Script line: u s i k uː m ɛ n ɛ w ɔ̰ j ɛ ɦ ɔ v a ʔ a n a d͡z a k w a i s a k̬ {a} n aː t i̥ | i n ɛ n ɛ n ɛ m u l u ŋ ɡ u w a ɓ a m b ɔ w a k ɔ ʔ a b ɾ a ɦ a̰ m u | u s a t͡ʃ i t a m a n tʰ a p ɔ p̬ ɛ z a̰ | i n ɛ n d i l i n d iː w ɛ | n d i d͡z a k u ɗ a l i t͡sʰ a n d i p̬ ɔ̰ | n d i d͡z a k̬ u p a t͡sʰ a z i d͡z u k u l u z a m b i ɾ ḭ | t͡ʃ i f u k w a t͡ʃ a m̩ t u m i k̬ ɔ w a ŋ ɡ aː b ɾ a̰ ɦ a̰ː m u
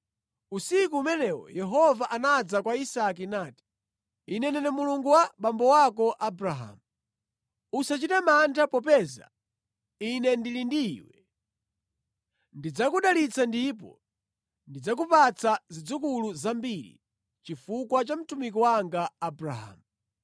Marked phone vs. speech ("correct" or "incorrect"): incorrect